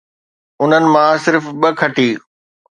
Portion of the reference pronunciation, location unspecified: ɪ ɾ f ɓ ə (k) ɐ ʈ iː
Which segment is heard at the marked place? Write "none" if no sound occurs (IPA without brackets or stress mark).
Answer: kʰ